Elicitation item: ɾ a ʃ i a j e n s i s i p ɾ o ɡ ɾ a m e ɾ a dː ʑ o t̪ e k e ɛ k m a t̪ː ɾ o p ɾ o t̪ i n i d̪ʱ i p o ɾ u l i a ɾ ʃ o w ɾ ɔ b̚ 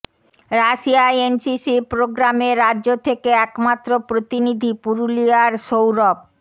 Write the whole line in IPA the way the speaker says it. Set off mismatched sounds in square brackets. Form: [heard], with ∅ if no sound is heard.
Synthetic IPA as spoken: ɾ a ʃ i a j e n s i s i p ɾ o ɡ ɾ a m e ɾ a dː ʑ o [t̪ʰ] e k e ɛ k m a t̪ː ɾ o p ɾ o t̪ i n i d̪ʱ i p [u] ɾ u l i a ɾ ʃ o w ɾ ɔ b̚